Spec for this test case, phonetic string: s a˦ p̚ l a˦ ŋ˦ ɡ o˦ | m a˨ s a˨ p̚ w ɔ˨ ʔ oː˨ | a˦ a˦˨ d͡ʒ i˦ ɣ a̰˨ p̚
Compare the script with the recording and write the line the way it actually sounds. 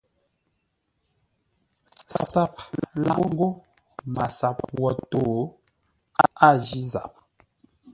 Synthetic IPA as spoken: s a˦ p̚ l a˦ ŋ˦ ɡ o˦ | m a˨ s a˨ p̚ w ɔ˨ t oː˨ | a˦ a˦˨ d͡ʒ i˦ z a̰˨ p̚